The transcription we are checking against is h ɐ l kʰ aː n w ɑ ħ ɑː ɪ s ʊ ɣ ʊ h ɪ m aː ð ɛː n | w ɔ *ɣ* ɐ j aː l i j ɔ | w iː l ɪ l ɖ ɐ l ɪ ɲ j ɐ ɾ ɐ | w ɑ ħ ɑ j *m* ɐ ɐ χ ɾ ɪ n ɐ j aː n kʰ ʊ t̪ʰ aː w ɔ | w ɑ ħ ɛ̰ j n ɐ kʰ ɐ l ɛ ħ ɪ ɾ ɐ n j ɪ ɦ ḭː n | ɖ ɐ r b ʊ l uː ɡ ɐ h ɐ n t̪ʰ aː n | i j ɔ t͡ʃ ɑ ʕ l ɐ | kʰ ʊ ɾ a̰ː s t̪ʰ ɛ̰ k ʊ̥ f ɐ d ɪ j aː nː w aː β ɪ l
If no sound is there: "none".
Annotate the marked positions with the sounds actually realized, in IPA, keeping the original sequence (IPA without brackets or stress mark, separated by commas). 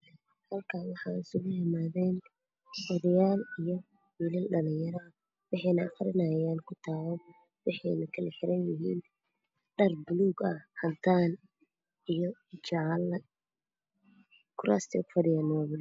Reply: ð, n